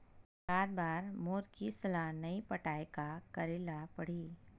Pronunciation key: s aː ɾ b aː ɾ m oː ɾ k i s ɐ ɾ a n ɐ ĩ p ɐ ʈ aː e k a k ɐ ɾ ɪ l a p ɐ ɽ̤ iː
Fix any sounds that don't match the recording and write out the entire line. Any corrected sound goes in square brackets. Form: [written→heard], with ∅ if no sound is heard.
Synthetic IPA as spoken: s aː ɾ b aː ɾ m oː ɾ k i s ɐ [ɾ→l] a n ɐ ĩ p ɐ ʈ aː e k a k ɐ ɾ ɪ l a p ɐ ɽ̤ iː

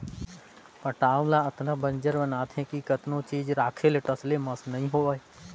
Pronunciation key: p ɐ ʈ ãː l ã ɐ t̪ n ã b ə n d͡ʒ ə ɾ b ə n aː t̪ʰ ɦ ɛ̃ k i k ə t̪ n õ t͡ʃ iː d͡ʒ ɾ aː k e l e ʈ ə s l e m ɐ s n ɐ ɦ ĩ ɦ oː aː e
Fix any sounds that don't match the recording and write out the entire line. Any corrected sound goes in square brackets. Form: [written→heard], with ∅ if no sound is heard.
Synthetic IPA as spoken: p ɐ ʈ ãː l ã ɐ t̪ n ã b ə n d͡ʒ ə ɾ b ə n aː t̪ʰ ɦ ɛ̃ k i k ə t̪ n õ t͡ʃ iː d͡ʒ ɾ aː [k→kʰ] e l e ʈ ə s l e m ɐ s n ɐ ɦ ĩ ɦ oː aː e

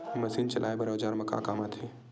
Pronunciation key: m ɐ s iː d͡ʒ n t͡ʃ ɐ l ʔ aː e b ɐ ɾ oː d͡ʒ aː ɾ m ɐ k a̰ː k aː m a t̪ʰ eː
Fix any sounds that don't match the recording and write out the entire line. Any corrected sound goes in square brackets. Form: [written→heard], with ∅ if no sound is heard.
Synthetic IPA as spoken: m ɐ s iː [d͡ʒ→∅] n t͡ʃ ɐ l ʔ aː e b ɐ ɾ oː d͡ʒ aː ɾ m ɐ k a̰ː k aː m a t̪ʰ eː

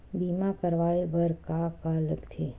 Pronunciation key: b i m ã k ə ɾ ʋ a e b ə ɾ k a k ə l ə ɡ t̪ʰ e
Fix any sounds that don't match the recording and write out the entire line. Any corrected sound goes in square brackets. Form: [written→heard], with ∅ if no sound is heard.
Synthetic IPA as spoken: b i m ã k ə ɾ ʋ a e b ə ɾ k a k [ə→a] l ə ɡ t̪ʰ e

